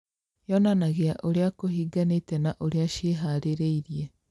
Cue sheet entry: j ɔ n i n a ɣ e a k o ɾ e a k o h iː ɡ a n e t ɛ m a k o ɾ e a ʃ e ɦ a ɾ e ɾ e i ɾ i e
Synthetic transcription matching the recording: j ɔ n a n a ɣ e a ʔ o ɾ e a k o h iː ɡ a n e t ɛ n a ʔ o ɾ e a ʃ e ɦ a ɾ e ɾ e i ɾ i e